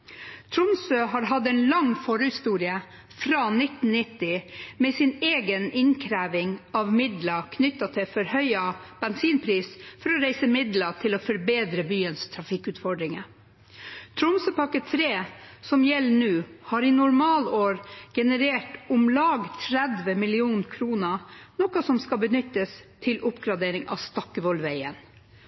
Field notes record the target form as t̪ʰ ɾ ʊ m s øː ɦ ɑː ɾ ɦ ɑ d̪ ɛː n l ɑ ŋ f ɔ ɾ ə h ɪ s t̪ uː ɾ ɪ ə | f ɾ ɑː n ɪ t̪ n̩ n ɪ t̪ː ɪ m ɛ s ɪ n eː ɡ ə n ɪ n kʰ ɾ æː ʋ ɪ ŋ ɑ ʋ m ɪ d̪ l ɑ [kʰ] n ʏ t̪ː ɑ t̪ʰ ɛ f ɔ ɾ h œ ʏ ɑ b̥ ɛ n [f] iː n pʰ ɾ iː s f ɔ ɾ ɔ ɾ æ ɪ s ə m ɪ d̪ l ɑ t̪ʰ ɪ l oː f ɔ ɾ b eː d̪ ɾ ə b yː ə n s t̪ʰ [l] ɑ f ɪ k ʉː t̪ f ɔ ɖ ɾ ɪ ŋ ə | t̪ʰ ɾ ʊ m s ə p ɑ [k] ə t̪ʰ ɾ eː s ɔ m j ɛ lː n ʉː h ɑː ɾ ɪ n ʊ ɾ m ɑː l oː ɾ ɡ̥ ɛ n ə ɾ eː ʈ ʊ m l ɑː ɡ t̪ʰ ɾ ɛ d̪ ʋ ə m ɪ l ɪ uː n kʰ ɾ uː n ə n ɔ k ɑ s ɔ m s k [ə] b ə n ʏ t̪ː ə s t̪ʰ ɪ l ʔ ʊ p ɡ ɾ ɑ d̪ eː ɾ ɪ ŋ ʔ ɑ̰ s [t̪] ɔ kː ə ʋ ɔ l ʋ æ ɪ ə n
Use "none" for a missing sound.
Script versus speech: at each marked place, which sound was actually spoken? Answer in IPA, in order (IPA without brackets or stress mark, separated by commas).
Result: kʰ, s, ɾ, k, ɑ, t̪